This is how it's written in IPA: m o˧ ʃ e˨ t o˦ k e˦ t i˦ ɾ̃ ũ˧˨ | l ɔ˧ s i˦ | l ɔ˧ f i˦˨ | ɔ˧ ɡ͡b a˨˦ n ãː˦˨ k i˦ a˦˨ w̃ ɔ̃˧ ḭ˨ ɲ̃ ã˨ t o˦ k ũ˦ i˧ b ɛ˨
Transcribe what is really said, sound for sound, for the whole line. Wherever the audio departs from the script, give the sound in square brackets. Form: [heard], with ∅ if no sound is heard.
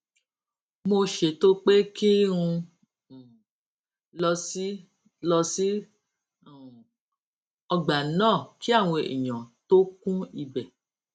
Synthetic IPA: m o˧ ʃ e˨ t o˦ [k͡p] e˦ [k] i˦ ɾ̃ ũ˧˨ | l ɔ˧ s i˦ | l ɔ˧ [s] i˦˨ | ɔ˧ ɡ͡b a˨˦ n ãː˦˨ k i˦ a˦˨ w̃ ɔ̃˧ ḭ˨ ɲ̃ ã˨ t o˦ k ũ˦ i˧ b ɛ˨